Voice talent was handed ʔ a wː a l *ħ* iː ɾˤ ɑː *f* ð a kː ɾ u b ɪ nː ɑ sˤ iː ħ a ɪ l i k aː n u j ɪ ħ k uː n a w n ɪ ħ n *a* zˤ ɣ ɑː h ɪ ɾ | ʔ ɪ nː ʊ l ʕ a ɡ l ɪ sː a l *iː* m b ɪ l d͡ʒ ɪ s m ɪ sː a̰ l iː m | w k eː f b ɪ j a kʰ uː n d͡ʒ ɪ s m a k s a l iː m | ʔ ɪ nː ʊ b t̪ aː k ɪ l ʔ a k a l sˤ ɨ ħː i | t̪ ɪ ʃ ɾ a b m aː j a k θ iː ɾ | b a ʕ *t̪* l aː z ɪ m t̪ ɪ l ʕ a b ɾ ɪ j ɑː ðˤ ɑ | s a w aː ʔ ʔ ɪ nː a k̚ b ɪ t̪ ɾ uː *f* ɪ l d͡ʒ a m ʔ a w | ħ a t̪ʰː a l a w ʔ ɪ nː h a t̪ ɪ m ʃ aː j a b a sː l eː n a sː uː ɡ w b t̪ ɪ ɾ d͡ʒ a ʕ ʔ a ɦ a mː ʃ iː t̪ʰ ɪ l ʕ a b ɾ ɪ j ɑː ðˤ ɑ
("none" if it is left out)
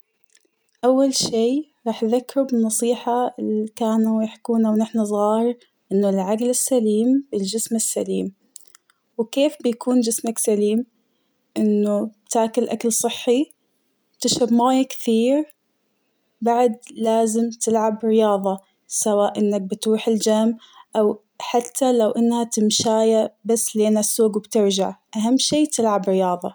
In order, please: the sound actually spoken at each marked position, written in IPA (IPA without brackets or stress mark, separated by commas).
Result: ʃ, ħ, a, iː, d̪, ħ